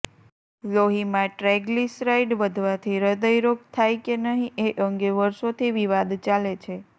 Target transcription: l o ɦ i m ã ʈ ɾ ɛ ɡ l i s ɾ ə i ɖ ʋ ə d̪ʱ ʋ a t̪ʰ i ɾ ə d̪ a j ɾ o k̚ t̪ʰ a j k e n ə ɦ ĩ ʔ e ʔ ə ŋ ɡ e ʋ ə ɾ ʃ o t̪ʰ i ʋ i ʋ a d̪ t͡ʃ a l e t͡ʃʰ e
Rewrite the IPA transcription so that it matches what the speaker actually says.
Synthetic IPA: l o ɦ i m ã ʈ ɾ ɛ ɡ l i s ɾ a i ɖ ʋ ə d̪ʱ ʋ a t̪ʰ i ɾ ə d̪ ə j ɾ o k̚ t̪ʰ a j k e n ə ɦ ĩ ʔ e ʔ ə ŋ ɡ e ʋ ə ɾ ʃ o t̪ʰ i ʋ i ʋ a d̪ t͡ʃ a l e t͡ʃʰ e